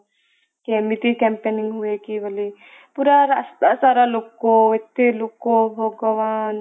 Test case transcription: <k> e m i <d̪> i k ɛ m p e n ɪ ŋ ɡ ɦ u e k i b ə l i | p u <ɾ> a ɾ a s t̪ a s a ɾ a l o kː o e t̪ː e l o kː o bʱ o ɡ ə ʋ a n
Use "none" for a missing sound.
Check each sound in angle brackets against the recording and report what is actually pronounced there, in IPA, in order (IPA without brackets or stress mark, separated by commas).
k, t̪, ɾ